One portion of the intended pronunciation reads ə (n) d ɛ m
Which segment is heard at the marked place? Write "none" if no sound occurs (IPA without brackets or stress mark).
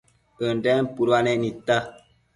n